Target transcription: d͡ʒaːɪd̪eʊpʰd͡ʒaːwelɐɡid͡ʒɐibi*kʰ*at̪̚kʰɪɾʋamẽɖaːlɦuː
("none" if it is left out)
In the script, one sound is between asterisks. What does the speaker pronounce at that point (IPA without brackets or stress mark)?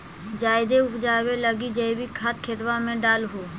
kʰ